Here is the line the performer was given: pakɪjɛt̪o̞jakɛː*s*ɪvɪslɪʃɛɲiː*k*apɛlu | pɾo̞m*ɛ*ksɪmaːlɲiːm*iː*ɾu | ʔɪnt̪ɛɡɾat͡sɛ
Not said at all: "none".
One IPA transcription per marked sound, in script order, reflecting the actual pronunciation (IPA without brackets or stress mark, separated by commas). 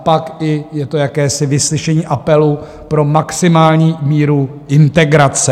s, ʔ, a, iː